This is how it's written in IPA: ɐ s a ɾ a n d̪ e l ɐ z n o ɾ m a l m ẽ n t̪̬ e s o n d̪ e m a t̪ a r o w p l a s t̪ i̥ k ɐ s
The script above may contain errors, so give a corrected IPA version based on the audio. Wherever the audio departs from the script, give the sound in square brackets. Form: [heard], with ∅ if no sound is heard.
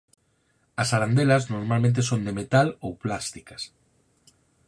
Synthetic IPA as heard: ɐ s a ɾ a n d̪ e l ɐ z n o ɾ m a l m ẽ n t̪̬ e s o n d̪ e m [e] t̪ a [l] o w p l a s t̪ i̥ k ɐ s